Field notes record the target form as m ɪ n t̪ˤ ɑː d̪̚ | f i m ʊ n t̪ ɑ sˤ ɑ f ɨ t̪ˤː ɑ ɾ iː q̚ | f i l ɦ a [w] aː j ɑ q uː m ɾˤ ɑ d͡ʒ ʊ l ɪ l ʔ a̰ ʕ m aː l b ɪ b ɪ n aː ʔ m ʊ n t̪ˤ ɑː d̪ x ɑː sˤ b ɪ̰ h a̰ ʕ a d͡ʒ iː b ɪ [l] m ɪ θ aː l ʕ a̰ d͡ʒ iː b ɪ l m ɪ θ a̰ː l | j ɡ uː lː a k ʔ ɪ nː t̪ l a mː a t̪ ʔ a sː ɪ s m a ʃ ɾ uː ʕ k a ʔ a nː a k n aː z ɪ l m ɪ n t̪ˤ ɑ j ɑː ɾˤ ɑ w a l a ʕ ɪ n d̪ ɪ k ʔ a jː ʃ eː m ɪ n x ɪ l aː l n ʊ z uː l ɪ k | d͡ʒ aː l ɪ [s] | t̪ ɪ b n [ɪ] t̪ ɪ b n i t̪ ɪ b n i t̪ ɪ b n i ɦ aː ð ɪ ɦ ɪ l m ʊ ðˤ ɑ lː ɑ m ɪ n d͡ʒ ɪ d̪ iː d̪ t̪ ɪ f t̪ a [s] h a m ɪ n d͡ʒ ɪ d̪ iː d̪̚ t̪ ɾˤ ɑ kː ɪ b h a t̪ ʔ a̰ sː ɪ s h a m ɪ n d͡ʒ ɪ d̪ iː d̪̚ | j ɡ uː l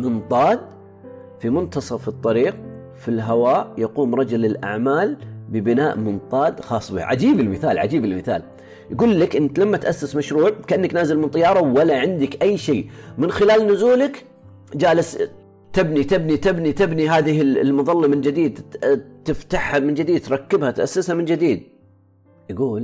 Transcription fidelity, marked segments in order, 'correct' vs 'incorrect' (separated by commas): correct, correct, correct, incorrect, incorrect